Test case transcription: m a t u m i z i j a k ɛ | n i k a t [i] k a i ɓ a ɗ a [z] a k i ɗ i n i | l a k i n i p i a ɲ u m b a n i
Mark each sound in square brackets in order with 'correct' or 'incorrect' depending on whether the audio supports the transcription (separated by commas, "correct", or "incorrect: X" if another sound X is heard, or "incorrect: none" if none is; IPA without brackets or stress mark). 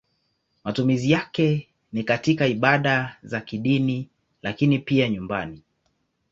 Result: correct, correct